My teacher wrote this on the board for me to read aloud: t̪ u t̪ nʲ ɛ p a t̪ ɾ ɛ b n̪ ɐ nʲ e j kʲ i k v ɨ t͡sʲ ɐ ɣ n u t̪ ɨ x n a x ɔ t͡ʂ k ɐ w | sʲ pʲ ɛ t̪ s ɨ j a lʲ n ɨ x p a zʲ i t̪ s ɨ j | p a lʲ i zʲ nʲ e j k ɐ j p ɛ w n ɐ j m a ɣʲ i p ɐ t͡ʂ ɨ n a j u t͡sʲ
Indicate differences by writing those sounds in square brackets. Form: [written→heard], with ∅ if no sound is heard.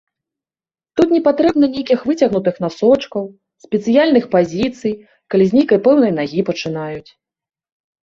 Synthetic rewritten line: t̪ u t̪ nʲ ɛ p a t̪ ɾ ɛ b n̪ ɐ nʲ e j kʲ i [k→x] v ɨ t͡sʲ ɐ ɣ n u t̪ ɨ x n a [x→s] ɔ t͡ʂ k ɐ w | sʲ pʲ ɛ t̪ s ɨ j a lʲ n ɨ x p a zʲ i t̪ s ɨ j | [p→k] a lʲ i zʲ nʲ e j k ɐ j p ɛ w n ɐ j [m→n] a ɣʲ i p ɐ t͡ʂ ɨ n a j u t͡sʲ